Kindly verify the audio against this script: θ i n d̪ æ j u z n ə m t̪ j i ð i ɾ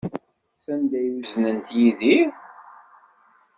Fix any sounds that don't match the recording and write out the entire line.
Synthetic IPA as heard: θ æ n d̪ æ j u z n ə n t̪ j i ð i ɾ